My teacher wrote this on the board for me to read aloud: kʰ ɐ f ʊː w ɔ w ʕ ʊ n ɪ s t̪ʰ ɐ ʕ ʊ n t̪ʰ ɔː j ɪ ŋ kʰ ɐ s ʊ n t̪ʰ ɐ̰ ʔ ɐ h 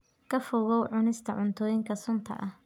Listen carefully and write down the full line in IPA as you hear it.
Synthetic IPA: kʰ ɐ f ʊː ɣ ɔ w ʕ ʊ n ɪ s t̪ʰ ɐ ʕ ʊ n t̪ʰ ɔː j ɪ ŋ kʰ ɐ s ʊ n t̪ʰ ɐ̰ ʔ ɐ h